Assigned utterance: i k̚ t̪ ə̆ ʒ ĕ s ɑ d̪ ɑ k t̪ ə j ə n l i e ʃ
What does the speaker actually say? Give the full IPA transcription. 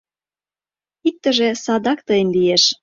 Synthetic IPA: i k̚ t̪ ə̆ ʒ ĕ s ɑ d̪ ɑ k t̪ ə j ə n l i e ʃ